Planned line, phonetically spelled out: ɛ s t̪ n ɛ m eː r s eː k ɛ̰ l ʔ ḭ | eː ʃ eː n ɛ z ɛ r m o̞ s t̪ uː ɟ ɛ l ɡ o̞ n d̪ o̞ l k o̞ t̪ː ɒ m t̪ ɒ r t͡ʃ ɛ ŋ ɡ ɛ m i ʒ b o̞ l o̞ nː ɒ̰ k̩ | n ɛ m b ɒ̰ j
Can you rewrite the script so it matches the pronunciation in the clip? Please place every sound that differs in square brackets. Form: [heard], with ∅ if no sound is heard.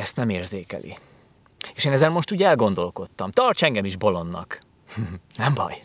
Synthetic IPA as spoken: ɛ s t̪ n ɛ m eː r [z] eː k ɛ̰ l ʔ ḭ | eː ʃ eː n ɛ z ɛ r m o̞ [ʃ] t̪ uː ɟ ɛ l ɡ o̞ n d̪ o̞ l k o̞ t̪ː ɒ m t̪ ɒ r t͡ʃ ɛ ŋ ɡ ɛ m i ʒ b o̞ l o̞ nː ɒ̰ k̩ | n ɛ m b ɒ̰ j